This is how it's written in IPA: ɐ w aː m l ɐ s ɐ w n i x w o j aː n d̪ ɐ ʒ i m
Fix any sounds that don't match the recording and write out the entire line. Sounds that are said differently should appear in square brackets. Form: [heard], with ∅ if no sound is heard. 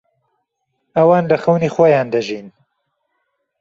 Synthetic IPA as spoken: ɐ w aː [n] l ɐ [x] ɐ w n i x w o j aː n d̪ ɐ ʒ i [n]